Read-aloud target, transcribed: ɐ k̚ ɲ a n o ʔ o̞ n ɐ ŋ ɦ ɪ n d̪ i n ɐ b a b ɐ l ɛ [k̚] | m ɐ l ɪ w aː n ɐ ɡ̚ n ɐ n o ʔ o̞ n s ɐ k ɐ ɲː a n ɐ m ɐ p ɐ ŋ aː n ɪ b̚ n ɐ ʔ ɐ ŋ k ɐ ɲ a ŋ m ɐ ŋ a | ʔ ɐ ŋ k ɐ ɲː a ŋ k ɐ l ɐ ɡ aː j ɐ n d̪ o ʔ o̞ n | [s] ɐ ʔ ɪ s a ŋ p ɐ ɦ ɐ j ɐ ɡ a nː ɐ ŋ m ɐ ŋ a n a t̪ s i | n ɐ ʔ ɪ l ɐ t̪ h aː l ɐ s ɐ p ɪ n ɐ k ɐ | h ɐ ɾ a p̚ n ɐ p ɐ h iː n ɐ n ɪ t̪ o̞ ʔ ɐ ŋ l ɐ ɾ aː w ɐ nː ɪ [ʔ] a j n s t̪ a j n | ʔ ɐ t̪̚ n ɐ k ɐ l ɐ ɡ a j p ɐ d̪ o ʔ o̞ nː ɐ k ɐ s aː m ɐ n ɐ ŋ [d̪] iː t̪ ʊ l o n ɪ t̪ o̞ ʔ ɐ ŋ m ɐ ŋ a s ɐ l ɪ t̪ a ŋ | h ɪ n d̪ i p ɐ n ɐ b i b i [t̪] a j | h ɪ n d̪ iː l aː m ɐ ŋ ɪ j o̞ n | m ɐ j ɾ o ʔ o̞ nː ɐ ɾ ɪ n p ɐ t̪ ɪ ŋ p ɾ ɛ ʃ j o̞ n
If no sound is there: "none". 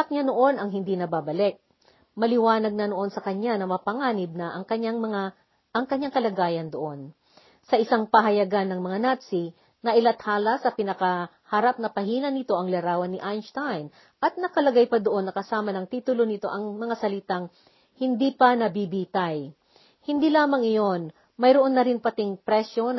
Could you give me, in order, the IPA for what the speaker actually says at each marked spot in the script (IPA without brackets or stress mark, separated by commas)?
k̚, s, ʔ, t̪, t̪